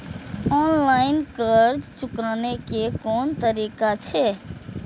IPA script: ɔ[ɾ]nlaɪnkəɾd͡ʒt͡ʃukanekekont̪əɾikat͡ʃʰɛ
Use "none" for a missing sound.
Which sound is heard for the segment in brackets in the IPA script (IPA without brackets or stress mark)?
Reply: none